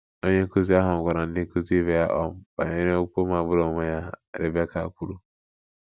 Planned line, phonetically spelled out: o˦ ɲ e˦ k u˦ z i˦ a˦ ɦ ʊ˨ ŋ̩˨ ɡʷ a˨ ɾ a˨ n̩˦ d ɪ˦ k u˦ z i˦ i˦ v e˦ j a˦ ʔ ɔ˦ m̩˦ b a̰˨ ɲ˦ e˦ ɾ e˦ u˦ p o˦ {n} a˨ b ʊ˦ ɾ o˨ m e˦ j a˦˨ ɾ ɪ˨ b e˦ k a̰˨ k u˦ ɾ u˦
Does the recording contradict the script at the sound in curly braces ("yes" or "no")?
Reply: yes